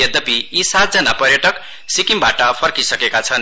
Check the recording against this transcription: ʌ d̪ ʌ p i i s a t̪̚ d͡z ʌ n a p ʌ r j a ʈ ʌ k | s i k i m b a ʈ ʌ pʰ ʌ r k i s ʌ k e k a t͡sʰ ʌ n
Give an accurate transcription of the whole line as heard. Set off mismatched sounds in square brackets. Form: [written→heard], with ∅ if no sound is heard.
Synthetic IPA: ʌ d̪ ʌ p i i s a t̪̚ d͡z ʌ n a p ʌ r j [a→ʌ] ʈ ʌ k | s i k i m b a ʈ ʌ pʰ ʌ r k i s ʌ k e k a t͡sʰ ʌ n